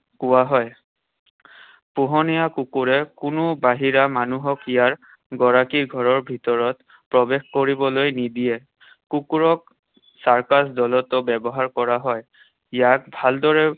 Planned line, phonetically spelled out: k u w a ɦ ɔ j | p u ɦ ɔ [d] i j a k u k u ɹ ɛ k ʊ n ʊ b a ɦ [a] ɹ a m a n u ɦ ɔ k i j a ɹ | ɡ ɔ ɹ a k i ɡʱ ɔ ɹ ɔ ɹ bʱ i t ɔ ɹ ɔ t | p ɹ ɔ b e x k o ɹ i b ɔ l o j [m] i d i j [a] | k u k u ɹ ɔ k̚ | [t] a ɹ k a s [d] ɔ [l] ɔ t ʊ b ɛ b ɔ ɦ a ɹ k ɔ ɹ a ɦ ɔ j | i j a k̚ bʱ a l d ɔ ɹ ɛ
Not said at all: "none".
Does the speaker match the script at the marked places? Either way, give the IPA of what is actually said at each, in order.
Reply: n, i, n, ɛ, s, d, l

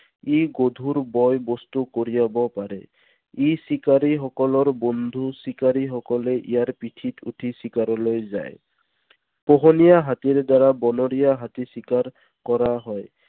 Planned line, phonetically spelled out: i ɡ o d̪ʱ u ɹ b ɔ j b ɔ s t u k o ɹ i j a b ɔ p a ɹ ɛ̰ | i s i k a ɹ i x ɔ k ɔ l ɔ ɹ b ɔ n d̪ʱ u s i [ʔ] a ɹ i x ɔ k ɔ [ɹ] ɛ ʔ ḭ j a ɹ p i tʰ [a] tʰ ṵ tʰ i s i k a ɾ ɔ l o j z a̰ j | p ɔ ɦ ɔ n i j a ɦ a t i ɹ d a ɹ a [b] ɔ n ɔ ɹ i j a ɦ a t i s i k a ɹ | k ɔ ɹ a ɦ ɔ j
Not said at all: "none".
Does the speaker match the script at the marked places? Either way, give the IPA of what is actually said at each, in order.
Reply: k, l, i, b

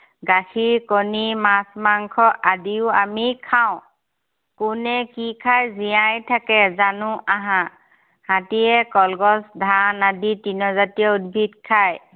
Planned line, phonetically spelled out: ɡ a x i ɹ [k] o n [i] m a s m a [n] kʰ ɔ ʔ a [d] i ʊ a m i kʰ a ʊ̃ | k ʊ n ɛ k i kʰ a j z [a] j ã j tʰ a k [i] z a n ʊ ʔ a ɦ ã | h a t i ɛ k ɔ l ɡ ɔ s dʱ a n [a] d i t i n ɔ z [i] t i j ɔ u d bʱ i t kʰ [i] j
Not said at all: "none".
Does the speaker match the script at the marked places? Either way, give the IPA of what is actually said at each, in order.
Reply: k, i, ŋ, d, i, ɛ, a, a, a

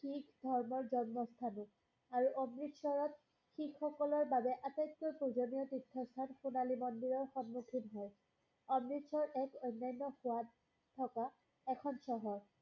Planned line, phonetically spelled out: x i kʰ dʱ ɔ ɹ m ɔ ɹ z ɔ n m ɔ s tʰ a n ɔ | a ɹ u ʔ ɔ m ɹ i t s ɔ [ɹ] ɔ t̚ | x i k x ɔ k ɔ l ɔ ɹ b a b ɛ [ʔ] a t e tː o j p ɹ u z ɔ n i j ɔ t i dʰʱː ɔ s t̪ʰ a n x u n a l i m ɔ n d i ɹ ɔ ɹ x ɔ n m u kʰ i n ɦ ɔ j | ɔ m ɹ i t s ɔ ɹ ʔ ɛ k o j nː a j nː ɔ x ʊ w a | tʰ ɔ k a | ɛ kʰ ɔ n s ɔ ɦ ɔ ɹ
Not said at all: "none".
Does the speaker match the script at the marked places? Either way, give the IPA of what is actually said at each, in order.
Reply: ɹ, ʔ

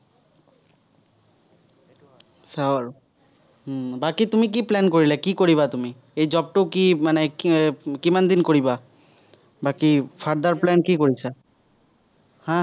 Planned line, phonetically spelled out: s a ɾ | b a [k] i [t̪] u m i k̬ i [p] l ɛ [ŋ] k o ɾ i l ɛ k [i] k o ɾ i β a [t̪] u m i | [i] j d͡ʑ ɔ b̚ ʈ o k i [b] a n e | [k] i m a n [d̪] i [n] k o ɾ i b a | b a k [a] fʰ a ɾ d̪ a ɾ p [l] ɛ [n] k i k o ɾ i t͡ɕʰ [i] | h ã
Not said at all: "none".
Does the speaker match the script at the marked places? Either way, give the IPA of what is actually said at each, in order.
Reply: k, t̪, p, n, i, t̪, e, m, k, d̪, n, i, l, n, a

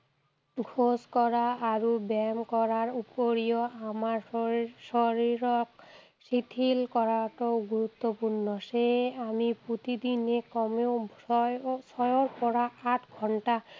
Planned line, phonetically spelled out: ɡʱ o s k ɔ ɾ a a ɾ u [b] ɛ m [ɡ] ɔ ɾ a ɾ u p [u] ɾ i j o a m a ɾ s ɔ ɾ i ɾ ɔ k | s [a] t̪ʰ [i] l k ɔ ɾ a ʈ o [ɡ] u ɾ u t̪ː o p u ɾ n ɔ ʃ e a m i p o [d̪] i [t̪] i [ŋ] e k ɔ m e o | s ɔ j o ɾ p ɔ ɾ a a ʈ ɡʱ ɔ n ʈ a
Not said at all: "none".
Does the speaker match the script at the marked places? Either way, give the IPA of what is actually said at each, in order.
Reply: b, k, o, i, i, ɡ, t̪, d̪, n

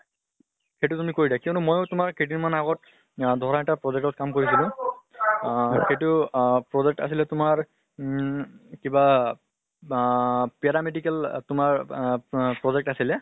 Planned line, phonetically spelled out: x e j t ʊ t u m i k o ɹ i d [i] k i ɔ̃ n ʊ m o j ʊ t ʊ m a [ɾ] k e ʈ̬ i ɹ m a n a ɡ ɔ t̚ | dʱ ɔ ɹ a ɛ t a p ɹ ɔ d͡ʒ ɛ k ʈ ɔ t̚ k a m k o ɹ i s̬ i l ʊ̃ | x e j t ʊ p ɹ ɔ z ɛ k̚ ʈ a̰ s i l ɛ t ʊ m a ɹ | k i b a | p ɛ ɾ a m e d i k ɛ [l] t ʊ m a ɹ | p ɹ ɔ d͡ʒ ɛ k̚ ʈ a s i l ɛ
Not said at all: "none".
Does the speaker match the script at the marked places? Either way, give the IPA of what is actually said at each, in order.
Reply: a, ɹ, l

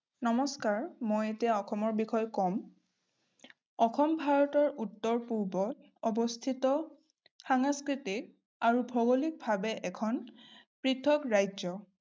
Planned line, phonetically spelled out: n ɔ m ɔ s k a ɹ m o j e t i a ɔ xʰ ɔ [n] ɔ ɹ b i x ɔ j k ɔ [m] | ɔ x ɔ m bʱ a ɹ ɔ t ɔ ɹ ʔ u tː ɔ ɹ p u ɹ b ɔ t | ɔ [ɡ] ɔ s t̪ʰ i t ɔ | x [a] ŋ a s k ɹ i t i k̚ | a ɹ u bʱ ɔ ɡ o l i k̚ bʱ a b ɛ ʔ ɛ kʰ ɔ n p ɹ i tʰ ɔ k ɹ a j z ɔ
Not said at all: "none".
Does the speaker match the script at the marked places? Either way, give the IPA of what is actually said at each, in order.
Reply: m, m, b, a

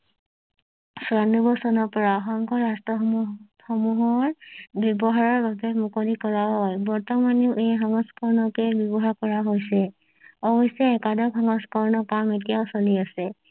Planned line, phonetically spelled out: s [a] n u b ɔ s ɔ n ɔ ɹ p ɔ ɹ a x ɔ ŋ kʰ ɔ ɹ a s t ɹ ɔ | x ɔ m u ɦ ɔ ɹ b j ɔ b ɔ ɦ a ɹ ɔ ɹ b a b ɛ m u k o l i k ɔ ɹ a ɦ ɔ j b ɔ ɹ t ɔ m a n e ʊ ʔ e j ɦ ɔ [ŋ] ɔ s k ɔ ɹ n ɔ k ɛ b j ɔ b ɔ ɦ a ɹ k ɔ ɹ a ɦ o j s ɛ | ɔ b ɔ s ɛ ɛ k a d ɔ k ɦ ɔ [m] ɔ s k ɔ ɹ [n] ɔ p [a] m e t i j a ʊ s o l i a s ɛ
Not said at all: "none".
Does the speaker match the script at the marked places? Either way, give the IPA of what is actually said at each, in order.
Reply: a, ŋ, ŋ, n, a

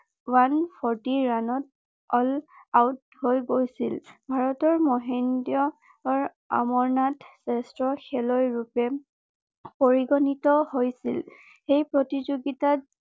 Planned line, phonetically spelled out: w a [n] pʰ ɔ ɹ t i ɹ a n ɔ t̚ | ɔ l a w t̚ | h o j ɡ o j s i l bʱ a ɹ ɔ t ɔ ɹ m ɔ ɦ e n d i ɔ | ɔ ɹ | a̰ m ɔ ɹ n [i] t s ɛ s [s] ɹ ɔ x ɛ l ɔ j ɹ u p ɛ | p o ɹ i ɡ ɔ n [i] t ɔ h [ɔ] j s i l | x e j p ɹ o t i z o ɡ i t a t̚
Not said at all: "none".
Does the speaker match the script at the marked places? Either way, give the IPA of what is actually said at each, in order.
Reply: n, a, t, i, o

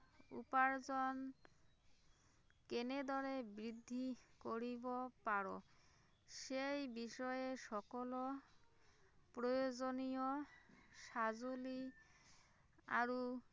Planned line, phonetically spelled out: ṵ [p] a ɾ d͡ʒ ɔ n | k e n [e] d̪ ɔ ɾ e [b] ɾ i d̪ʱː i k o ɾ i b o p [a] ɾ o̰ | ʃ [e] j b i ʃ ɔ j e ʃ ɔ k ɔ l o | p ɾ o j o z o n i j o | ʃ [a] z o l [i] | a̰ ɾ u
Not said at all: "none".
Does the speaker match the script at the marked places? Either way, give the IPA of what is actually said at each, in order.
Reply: p, e, b, a, e, a, i

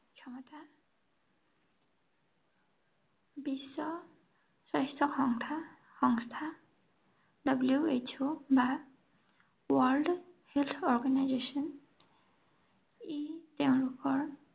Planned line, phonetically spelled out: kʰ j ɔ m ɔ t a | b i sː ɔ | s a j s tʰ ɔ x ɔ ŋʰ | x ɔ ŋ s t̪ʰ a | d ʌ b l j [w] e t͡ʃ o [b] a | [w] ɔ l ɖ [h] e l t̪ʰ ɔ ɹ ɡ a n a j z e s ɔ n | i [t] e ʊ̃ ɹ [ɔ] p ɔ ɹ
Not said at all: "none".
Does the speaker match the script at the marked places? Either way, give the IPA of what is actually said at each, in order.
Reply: u, b, w, h, t, u

